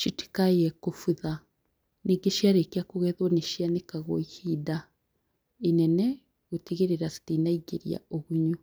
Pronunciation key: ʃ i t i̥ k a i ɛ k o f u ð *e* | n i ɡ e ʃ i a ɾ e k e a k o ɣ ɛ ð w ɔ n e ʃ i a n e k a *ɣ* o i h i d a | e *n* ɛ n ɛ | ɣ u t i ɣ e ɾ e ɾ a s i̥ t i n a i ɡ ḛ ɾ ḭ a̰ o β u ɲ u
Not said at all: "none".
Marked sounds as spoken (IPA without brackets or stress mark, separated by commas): a, ɣ, n